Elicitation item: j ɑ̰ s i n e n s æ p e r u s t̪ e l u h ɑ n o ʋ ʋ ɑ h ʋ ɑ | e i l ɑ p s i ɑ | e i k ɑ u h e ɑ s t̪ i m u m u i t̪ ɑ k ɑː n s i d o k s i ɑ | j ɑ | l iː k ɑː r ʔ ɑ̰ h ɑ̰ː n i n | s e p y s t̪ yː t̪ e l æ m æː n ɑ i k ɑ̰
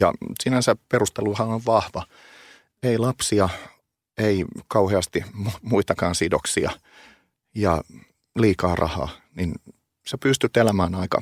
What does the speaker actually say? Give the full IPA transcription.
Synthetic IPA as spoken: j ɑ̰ s i n æ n s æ p e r u s t̪ e l u h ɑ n o ʋ ʋ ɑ h ʋ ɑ | e i l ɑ p s i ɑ | e i k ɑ u h e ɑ s t̪ i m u m u i t̪ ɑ k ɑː n s i d o k s i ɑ | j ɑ | l iː k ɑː r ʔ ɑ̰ h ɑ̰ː n i n | s e p y s t̪ y t̪ e l æ m æː n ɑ i k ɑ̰